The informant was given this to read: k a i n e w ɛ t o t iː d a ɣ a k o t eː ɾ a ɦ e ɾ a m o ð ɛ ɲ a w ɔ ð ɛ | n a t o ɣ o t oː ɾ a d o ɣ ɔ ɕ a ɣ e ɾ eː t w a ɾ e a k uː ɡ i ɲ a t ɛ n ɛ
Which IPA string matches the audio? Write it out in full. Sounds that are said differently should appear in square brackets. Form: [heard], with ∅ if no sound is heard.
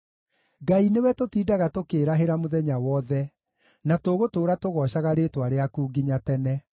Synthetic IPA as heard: [ɡ] a i n e w ɛ t o t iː d a ɣ a [t] o [k] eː ɾ a ɦ e ɾ a m o ð ɛ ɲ a w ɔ ð ɛ | n a t o ɣ o t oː ɾ a [t] o ɣ ɔ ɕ a ɣ [a] ɾ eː t w a ɾ e a k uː ɡ i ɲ a t ɛ n ɛ